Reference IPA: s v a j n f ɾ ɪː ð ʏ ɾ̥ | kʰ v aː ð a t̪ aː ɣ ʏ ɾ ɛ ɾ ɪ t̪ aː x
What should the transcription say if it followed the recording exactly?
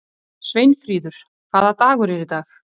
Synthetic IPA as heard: s v e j n f ɾ iː ð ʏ ɾ̥ | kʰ v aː ð a t̪ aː ɣ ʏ ɾ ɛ ɾ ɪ t̪ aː x